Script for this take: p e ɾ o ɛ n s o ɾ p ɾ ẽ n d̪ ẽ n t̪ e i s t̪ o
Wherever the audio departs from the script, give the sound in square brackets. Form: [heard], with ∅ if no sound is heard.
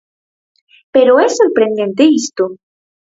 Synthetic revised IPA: p e ɾ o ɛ [∅] s o ɾ p ɾ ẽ n d̪ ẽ n t̪ e i s t̪ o